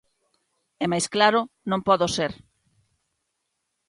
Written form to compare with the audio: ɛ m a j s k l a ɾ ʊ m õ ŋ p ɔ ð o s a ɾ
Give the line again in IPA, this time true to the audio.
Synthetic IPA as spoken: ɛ m a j s k l a ɾ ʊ n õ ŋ p ɔ ð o s e ɾ